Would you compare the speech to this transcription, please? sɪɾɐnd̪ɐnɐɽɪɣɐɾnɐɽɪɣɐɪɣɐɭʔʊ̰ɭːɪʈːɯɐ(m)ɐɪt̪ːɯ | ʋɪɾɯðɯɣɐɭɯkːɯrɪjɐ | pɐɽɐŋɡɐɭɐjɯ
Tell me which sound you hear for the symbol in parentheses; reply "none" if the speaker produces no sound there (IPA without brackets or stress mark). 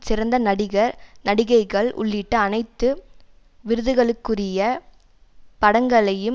n